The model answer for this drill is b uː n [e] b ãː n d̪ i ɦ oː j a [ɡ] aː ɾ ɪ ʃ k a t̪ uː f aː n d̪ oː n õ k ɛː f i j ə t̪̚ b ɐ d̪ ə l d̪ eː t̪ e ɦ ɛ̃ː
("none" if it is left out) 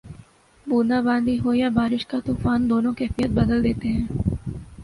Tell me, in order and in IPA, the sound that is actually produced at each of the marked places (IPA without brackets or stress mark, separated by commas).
a, b